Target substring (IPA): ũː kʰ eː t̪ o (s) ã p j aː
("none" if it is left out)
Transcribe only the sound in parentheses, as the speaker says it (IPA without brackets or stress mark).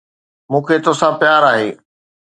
s